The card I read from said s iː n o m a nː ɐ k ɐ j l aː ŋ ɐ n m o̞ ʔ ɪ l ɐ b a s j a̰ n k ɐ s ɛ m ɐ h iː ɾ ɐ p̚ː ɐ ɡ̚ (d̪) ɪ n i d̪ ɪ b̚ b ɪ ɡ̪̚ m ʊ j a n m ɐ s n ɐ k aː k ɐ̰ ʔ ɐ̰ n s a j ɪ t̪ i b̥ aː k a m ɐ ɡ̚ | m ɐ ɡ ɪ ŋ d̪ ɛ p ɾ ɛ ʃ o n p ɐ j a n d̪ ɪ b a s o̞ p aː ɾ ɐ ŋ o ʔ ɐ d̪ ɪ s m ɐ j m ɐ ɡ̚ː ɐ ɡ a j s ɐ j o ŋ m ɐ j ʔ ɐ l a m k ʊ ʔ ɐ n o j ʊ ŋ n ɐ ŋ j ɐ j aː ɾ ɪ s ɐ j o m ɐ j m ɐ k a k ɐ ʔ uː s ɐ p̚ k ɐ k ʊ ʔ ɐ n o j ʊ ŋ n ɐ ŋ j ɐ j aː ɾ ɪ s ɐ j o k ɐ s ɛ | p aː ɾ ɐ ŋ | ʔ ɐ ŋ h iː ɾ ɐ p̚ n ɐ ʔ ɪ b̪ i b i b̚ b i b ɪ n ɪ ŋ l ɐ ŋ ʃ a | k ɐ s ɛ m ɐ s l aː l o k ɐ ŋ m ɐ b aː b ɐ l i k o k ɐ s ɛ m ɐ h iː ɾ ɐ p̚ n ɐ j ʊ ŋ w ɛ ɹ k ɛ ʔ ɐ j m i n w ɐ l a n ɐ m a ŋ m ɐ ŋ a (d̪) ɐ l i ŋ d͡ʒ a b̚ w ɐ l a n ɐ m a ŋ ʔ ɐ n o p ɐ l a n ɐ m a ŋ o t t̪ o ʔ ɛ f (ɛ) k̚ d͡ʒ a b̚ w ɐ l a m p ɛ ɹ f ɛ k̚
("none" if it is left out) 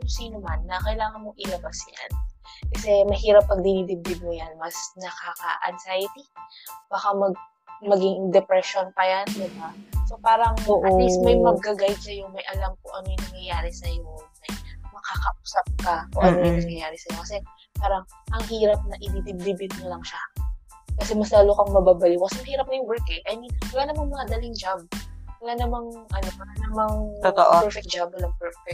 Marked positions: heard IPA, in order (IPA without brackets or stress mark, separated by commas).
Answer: d̪, d̪, ɛ